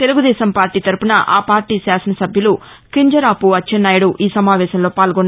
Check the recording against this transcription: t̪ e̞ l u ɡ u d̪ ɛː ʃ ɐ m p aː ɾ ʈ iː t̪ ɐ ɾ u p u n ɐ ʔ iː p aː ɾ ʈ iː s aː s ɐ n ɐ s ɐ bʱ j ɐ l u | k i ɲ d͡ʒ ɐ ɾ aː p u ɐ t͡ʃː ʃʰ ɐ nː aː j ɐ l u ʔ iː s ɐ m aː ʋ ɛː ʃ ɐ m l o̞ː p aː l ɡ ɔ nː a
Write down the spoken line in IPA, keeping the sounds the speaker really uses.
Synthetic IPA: t̪ e̞ l u ɡ u d̪ ɛː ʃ ɐ m p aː ɾ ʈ iː t̪ ɐ ɾ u p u n ɐ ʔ aː p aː ɾ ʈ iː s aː s ɐ n ɐ s ɐ bʱ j ɐ l u | k i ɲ d͡ʒ ɐ ɾ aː p u ɐ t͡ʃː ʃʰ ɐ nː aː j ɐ ɽ u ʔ iː s ɐ m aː ʋ ɛː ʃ ɐ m l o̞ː p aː l ɡ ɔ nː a

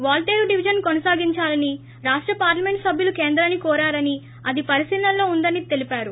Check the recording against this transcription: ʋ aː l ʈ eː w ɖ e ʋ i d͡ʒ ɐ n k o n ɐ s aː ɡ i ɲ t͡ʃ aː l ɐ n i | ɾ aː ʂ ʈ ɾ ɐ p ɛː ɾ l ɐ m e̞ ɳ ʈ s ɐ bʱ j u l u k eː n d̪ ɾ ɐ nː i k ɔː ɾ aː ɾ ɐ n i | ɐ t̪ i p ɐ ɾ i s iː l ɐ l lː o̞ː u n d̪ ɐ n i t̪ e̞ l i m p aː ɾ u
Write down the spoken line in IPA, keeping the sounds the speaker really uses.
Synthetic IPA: ʋ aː l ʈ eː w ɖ i ʋ i d͡ʒ ɐ n k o n ɐ s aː ɡ i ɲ t͡ʃ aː l ɐ n i | ɾ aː ʂ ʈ ɾ ɐ p aː ɾ l ɐ m e̞ ɳ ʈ s ɐ bʱ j u l u k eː n d̪ ɾ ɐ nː i k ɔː ɾ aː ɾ ɐ n i | ɐ d̪ i p ɐ ɾ i s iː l ɐ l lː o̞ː u n d̪ ɐ n i t̪ e̞ l i p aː ɾ u

